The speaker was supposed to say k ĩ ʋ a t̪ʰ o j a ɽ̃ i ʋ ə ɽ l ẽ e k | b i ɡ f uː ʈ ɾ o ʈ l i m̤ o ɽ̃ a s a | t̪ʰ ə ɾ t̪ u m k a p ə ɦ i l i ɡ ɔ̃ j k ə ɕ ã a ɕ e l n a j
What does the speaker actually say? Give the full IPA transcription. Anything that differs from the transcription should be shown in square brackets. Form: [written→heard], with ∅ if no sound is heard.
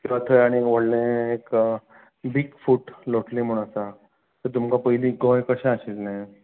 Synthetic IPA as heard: k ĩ ʋ a t̪ʰ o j a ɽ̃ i ʋ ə ɽ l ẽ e k | b i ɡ f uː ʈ [ɾ→l] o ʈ l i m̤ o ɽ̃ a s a | [t̪ʰ→t̪] ə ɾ t̪ u m k a p ə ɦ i l i ɡ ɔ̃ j k ə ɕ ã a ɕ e l n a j